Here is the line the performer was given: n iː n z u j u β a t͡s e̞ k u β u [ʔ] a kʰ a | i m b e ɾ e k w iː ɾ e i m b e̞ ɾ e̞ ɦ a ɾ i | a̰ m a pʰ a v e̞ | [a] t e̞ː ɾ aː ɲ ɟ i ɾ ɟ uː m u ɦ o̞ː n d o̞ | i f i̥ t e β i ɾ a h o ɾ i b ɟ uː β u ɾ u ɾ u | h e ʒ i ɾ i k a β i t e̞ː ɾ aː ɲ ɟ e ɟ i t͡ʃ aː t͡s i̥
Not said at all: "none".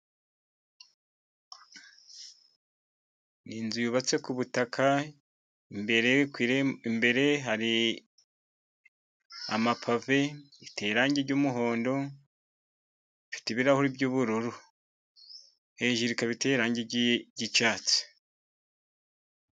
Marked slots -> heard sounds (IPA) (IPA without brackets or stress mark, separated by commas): t, i